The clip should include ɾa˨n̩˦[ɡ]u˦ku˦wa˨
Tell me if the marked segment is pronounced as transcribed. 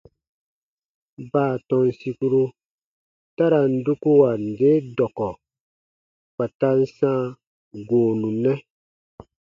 no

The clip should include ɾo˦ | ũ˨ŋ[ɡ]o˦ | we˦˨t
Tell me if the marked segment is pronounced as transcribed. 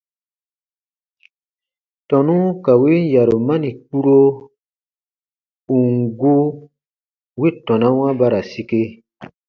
yes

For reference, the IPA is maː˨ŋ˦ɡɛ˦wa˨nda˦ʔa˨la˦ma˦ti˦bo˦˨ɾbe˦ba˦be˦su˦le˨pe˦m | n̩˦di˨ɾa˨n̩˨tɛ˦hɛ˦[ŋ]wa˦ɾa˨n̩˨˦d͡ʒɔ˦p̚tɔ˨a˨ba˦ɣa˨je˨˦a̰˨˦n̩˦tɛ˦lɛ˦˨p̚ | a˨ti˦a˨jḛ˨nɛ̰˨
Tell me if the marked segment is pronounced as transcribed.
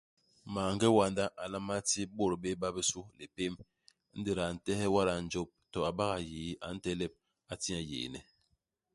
no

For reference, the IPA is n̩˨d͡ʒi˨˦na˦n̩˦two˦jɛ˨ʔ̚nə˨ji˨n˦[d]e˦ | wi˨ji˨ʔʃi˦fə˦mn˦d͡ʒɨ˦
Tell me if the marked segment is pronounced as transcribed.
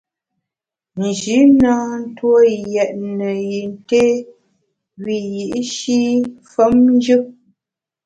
no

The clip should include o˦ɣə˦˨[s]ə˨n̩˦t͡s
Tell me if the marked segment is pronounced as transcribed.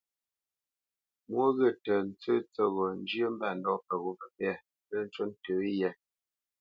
no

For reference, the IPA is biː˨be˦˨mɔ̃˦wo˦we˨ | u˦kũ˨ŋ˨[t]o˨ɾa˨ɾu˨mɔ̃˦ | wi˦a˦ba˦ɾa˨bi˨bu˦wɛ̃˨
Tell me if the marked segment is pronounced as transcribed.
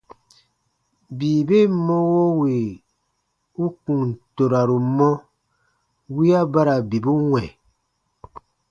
yes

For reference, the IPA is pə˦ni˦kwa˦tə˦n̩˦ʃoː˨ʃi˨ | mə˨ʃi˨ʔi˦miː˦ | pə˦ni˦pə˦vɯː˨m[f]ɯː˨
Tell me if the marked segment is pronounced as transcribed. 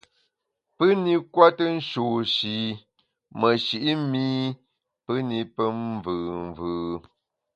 no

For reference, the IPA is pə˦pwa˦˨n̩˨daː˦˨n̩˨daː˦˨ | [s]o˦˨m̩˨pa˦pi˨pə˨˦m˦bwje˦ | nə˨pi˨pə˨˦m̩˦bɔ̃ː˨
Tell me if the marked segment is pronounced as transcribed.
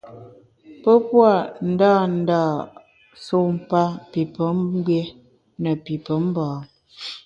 yes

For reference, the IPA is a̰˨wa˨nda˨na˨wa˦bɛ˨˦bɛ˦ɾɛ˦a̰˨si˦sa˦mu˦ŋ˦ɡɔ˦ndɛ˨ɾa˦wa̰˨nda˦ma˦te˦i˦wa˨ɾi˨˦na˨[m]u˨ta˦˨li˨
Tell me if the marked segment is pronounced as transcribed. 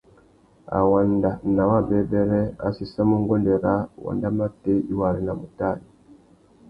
yes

